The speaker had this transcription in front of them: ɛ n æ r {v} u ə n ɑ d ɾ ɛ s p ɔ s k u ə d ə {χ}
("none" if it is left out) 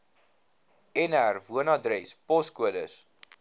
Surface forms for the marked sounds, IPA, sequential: v, s

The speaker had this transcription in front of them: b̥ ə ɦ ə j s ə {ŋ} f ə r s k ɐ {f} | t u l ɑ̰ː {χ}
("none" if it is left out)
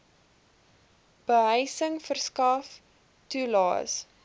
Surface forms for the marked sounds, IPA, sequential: ŋ, f, s

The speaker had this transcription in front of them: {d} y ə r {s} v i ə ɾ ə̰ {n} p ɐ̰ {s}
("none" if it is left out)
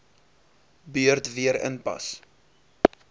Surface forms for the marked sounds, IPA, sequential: b, t, n, s

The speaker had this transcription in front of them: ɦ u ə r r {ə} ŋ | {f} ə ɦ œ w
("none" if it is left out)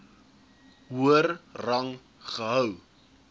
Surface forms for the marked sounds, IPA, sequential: ɐ, χ

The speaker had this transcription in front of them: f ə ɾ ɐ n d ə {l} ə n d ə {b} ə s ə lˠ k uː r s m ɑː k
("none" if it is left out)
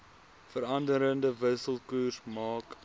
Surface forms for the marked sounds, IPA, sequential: ɾ, v

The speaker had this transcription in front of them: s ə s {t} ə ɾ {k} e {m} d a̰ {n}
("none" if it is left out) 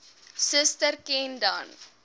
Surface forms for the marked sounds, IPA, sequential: t, k, n, n

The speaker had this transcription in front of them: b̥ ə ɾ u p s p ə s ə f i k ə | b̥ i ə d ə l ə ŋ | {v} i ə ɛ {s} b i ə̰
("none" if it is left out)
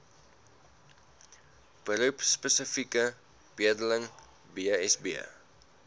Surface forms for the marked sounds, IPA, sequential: b, s

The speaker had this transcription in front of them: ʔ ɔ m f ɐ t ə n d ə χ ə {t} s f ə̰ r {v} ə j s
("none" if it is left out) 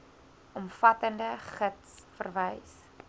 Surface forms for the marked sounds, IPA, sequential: t, v

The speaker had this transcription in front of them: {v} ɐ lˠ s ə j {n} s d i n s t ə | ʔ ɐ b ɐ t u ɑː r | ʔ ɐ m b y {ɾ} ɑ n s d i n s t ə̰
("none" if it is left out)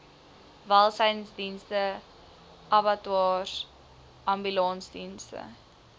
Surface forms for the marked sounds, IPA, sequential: v, n, l

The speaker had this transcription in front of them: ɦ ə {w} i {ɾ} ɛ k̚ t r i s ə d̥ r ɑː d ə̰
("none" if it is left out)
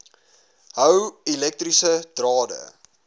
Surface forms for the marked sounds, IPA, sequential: w, l

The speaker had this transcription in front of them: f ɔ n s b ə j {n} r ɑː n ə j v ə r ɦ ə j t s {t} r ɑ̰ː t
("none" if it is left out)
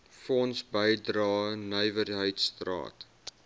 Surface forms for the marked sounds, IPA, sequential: d, t

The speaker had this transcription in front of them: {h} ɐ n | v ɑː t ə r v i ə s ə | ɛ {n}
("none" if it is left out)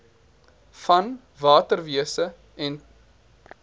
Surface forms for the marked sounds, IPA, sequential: f, n

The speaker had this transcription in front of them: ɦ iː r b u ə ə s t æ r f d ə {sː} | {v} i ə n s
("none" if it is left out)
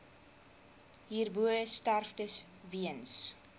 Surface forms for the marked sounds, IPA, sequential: s, v

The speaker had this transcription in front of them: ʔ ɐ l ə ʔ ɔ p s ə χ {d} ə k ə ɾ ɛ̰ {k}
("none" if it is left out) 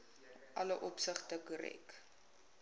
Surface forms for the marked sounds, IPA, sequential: t, k

